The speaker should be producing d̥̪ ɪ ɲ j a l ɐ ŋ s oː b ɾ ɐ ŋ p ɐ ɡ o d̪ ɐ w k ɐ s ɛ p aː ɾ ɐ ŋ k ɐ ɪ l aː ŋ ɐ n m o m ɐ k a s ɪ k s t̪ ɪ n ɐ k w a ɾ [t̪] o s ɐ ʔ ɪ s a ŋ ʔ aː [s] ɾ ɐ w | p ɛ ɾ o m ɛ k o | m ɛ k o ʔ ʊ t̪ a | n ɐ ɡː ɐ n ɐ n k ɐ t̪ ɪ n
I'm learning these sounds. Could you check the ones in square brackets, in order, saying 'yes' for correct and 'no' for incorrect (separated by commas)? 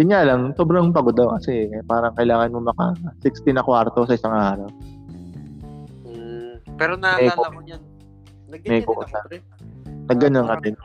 yes, no